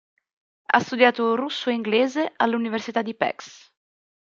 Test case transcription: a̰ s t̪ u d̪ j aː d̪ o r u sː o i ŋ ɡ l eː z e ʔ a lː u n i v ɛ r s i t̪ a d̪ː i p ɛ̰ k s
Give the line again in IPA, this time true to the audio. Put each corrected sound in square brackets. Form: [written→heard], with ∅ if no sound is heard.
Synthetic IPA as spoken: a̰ s t̪ u d̪ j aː [d̪→t̪] o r u sː o i ŋ ɡ l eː z e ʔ a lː u n i v [ɛ→e] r s i t̪ a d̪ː i p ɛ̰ k s